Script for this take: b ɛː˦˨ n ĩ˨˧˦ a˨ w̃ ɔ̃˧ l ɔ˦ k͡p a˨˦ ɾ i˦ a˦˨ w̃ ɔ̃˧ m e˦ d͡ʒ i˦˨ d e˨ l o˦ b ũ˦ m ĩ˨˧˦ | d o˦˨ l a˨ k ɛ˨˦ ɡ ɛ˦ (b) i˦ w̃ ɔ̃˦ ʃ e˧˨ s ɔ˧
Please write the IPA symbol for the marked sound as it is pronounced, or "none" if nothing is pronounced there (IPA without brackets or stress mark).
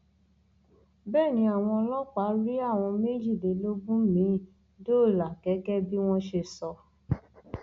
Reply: b